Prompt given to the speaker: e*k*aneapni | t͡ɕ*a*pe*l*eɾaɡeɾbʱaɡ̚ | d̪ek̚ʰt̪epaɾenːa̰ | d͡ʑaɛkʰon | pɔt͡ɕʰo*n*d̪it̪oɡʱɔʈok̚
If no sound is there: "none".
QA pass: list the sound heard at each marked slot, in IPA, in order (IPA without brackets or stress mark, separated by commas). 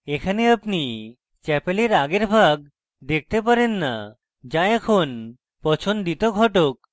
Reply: kʰ, ɛ, l, n